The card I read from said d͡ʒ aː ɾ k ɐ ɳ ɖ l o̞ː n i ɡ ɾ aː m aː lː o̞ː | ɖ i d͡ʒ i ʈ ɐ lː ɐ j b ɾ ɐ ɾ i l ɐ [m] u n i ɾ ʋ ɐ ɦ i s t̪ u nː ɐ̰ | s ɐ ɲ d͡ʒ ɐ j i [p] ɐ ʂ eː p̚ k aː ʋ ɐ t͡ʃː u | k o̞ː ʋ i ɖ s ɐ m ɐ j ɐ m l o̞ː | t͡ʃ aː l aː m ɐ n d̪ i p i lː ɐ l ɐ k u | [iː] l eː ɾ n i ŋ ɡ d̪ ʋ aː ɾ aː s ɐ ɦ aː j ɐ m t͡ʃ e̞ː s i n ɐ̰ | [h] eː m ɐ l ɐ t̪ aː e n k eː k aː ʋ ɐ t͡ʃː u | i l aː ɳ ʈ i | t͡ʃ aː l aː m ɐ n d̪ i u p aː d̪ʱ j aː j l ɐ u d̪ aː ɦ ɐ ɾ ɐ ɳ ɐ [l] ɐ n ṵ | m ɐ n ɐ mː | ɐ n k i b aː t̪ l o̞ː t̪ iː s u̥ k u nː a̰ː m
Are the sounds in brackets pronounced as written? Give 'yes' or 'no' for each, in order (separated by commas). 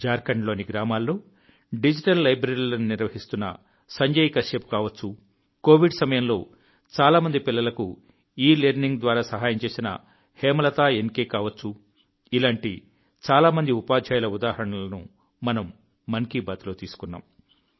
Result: no, no, yes, yes, yes